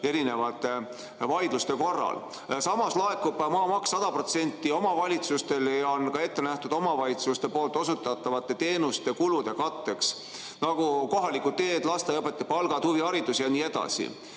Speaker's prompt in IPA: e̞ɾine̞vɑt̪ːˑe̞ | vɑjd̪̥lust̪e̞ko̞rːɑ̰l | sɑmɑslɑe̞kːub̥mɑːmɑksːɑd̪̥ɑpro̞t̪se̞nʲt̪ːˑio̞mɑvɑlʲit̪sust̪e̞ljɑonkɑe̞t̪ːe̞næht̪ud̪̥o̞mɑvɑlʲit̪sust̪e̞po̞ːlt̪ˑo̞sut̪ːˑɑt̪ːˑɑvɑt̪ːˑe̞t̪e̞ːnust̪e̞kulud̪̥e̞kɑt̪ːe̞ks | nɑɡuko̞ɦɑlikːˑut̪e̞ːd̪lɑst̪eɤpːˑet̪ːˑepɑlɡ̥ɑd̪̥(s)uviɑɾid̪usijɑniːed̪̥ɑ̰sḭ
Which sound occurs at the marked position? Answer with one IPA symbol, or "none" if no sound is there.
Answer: h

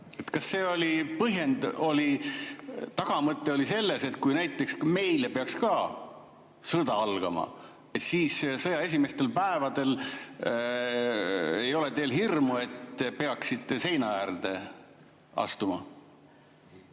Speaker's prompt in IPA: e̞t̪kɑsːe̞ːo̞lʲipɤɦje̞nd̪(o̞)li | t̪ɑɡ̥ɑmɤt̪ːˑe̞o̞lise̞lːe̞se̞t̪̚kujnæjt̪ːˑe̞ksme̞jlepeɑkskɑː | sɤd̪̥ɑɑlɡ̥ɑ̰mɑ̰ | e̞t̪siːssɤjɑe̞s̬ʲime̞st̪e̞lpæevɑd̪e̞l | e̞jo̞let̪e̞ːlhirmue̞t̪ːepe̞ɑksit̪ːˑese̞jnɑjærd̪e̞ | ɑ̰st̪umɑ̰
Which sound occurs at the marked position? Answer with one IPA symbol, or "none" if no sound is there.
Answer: o̞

